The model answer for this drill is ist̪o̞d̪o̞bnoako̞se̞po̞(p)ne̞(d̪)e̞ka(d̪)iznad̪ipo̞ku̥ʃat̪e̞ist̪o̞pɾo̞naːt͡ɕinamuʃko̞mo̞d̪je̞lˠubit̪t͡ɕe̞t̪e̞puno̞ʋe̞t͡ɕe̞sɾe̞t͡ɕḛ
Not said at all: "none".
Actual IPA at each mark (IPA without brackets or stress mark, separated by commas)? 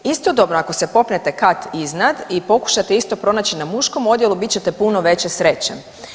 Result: p, t̪, t̪